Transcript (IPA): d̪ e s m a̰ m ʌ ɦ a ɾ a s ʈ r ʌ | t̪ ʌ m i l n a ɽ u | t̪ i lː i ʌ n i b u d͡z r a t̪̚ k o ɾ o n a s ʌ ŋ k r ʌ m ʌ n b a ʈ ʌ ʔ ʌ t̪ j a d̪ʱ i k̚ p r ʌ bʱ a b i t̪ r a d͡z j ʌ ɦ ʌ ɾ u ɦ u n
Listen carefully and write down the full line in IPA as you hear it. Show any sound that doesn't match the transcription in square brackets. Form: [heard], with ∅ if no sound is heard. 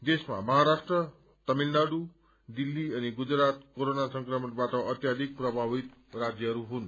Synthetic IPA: d̪ e s m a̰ m ʌ ɦ a ɾ a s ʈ r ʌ | t̪ ʌ m i l n a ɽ u | [d̪] i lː i ʌ n i [ɡ] u d͡z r a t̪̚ k o ɾ o n a s ʌ ŋ k r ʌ m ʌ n b a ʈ ʌ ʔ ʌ t̪ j a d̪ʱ i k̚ p r ʌ bʱ a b i t̪ r a d͡z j ʌ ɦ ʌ ɾ u ɦ u n